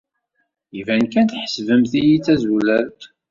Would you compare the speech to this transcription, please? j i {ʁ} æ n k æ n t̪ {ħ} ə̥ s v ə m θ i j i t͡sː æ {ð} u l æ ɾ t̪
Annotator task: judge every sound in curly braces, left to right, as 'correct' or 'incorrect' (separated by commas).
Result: incorrect, correct, incorrect